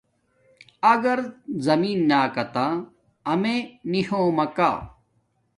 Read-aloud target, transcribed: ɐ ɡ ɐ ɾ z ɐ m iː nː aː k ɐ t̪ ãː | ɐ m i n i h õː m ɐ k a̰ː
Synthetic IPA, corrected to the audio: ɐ ɡ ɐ ɾ z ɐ m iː nː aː k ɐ t̪ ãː | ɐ m e n i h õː m ɐ k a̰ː

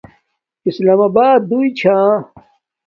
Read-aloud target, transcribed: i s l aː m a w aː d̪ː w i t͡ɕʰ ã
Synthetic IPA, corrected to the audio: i s l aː m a b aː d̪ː u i t͡ɕʰ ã

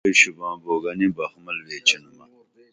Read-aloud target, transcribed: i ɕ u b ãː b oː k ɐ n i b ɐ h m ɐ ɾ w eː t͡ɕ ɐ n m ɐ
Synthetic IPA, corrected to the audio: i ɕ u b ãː b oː ɡ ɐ n i b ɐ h m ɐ l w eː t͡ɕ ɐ n m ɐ

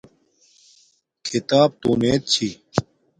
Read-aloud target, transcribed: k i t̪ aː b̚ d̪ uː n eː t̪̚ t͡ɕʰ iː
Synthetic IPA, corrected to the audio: kʰ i t̪ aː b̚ t̪ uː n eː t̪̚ t͡ɕʰ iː

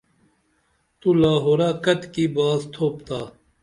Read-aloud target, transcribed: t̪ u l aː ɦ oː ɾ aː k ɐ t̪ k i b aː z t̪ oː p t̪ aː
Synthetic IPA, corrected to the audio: t̪ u l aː ɦ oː ɾ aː k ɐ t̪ k i b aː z t̪ʰ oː p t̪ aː

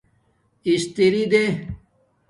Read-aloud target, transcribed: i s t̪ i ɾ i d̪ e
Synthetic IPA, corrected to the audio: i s t̪ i ɾ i d̪ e

